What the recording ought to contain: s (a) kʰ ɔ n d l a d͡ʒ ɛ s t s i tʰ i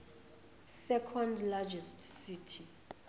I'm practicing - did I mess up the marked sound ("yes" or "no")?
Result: yes